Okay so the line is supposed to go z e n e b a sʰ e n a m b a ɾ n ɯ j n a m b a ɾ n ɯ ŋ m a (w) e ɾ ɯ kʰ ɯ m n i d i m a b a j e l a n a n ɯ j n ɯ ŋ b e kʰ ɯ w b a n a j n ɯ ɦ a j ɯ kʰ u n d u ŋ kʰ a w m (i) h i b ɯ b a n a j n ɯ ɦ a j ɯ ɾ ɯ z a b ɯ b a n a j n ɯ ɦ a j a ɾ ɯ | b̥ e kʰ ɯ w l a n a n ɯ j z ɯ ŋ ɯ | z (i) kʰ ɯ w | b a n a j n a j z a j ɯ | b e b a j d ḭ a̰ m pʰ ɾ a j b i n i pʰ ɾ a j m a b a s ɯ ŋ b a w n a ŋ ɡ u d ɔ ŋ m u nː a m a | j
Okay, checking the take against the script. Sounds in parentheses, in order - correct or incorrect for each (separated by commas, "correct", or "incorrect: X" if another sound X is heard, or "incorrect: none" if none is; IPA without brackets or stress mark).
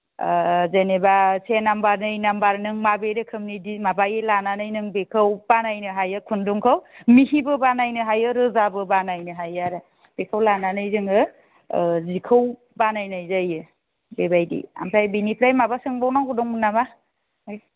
incorrect: b, correct, correct